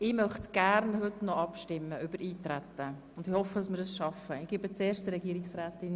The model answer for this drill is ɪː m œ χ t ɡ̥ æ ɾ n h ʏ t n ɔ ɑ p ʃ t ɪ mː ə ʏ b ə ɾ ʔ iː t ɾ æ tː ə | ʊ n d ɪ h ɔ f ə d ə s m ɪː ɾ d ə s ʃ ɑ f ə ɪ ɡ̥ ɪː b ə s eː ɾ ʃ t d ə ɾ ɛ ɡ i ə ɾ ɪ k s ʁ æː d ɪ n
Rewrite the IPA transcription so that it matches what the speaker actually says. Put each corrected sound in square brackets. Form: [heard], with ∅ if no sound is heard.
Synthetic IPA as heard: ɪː m œ χ t ɡ̥ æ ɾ n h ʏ t n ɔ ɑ p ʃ t ɪ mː ə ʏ b ə ɾ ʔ iː t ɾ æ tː ə | ʊ n d ɪ h ɔ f ə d [ɑ] s m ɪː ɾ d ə s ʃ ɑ f ə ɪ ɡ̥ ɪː b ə [t͡s] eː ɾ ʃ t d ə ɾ ɛ ɡ i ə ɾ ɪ k s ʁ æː [t] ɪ n